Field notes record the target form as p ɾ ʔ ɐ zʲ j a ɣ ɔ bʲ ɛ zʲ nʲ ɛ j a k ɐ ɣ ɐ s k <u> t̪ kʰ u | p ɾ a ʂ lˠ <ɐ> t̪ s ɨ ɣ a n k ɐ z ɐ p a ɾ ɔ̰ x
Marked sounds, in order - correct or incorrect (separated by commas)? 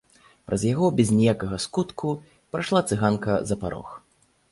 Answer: correct, incorrect